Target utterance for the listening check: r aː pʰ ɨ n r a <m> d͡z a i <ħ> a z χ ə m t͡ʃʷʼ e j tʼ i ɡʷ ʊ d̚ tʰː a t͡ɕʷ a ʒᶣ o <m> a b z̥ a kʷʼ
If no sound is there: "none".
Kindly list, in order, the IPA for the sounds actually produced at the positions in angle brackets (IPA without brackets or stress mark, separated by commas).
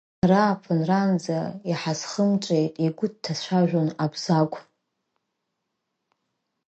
n, ħ, n